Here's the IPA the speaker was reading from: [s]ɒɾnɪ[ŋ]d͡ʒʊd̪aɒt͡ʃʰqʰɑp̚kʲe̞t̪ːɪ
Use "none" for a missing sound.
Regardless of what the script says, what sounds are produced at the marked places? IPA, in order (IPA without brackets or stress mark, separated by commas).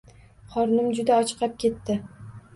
χ, m